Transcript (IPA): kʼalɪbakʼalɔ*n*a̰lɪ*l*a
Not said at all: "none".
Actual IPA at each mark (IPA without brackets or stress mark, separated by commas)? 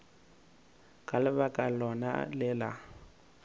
n, l